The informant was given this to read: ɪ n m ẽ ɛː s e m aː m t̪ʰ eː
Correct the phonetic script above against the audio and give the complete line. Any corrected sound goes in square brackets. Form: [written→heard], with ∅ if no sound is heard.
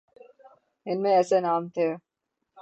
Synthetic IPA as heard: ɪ n m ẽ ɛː s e [m→n] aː m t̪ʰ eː